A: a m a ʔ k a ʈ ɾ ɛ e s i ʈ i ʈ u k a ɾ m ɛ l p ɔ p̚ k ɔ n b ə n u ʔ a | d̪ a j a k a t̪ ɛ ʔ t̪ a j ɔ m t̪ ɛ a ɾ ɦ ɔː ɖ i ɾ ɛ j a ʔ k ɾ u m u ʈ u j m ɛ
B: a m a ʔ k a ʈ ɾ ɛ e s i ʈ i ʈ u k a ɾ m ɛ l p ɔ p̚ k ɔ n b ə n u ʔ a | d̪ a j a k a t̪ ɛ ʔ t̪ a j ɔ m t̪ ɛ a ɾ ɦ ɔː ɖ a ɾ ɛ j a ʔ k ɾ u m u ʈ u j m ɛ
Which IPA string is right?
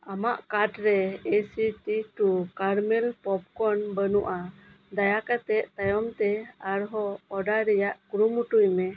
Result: B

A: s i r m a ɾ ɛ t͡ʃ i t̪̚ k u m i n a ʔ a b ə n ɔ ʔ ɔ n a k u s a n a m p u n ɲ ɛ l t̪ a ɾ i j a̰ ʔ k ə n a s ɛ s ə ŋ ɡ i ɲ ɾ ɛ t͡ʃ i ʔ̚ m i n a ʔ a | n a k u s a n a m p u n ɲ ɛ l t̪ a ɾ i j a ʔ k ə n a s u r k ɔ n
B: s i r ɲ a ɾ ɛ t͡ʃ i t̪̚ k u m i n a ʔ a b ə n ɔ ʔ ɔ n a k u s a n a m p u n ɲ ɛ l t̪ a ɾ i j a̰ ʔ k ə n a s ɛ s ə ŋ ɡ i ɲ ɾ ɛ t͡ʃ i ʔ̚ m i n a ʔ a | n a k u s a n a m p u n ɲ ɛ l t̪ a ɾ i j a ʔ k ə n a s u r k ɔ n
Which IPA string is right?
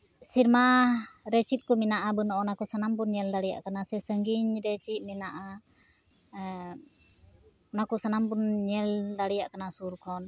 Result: A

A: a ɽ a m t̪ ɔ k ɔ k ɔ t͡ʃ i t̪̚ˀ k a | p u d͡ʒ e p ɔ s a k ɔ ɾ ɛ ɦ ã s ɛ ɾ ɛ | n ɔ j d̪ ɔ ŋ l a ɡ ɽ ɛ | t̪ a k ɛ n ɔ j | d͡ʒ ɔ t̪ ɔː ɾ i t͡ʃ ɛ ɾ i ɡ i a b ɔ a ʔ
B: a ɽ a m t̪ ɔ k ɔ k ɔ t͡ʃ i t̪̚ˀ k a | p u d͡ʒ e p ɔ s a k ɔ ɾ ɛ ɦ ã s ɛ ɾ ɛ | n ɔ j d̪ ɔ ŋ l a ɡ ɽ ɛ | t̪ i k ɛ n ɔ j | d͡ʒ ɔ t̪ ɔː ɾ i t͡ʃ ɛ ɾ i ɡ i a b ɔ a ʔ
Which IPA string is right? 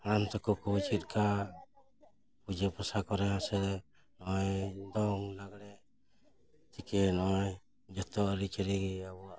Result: B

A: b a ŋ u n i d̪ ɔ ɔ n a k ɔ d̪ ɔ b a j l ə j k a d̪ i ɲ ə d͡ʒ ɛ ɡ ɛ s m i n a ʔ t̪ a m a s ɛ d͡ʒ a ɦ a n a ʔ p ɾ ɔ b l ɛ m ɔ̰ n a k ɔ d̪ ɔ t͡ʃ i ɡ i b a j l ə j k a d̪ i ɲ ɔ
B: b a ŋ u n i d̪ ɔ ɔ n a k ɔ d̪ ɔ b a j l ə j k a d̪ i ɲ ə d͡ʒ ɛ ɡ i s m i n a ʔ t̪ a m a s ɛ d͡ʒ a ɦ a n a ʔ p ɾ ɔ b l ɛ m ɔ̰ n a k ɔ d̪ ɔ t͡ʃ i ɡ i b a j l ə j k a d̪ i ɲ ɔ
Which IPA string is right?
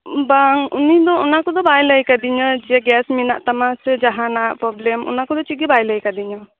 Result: A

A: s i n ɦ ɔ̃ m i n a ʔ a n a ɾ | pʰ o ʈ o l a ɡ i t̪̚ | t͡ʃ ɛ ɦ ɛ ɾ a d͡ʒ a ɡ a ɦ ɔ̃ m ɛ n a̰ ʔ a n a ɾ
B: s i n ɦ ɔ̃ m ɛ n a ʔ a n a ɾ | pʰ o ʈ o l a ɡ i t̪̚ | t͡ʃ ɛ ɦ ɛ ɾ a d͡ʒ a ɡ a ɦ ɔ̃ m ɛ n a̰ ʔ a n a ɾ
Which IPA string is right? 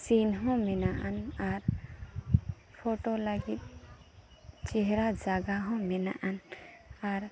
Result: B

